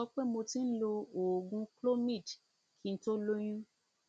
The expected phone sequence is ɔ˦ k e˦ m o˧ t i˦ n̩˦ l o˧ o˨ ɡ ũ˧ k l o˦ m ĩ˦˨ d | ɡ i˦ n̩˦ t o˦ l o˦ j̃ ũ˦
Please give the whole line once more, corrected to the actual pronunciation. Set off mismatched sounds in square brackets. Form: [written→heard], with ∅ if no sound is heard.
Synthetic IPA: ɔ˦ [k→k͡p] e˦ m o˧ t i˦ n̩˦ l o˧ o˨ ɡ ũ˧ k l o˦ m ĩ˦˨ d | [ɡ→k] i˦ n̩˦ t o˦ l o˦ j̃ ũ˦